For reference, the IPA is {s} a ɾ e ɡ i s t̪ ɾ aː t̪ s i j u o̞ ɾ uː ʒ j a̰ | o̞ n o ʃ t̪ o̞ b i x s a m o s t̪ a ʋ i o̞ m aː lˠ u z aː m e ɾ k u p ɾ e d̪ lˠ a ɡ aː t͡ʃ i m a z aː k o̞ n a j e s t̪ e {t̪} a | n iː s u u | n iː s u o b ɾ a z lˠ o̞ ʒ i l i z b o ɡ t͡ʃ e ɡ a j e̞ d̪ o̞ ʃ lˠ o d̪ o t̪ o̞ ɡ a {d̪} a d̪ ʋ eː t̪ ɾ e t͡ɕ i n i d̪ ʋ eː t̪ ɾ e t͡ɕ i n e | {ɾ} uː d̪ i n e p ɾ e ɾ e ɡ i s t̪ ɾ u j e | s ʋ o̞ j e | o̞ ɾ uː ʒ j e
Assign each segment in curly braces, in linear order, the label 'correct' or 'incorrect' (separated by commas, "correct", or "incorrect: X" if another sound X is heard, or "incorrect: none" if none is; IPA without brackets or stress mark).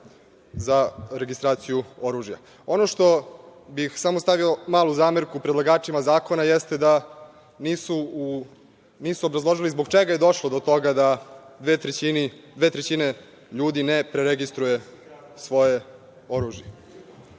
incorrect: z, incorrect: d̪, correct, incorrect: ʎ